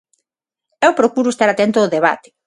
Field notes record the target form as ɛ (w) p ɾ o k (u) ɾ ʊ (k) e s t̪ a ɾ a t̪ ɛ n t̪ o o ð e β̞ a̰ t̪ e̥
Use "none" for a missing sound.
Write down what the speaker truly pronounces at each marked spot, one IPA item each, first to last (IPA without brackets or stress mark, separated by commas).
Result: w, u, none